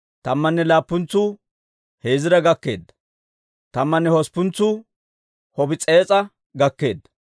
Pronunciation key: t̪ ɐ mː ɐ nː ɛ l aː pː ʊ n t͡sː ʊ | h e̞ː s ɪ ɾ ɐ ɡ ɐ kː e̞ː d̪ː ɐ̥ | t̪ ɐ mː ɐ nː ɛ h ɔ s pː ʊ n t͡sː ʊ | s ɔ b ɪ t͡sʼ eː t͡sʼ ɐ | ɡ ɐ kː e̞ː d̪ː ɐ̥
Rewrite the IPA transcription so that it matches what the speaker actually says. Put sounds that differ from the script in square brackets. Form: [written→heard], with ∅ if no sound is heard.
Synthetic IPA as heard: t̪ ɐ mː ɐ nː ɛ l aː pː ʊ n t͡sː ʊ | h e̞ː [s→z] ɪ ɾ ɐ ɡ ɐ kː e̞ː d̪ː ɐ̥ | t̪ ɐ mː ɐ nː ɛ h ɔ s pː ʊ n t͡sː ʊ | [s→h] ɔ b ɪ t͡sʼ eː t͡sʼ ɐ | ɡ ɐ kː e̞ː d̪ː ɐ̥